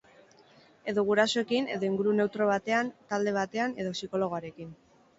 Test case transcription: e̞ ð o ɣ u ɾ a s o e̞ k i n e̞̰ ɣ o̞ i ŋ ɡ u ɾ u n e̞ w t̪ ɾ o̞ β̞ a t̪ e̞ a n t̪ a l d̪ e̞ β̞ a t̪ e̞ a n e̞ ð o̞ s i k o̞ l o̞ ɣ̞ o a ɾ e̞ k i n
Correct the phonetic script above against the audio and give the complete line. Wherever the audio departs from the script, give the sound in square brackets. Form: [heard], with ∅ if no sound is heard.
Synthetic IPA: e̞ ð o ɣ u ɾ a s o e̞ k i n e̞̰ [ð] o̞ i ŋ ɡ u ɾ u n e̞ w t̪ ɾ o̞ β̞ a t̪ e̞ a n t̪ a l d̪ e̞ β̞ a t̪ e̞ a n e̞ ð o̞ s i k o̞ l o̞ ɣ̞ o a ɾ e̞ k i n